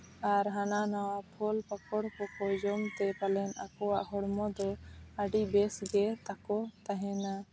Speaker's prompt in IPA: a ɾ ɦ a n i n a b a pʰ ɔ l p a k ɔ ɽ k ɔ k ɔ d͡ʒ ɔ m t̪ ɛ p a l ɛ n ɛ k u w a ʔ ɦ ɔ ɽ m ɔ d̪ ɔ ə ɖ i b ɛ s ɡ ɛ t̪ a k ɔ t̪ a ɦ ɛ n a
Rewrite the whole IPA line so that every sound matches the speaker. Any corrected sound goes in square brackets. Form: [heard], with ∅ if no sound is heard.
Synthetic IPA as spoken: a ɾ ɦ a n [a] n a [w] a pʰ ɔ l p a k ɔ ɽ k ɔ k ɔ d͡ʒ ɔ m t̪ ɛ p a l ɛ n [a] k [ɔ] w a ʔ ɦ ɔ ɽ m ɔ d̪ ɔ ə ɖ i b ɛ s ɡ ɛ t̪ a k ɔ t̪ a ɦ ɛ n a